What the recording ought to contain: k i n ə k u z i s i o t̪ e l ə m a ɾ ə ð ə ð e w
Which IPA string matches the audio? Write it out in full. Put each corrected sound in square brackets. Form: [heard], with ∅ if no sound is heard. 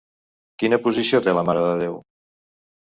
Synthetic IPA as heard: k i n ə [p] u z i s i o t̪ e l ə m a ɾ ə ð ə ð e w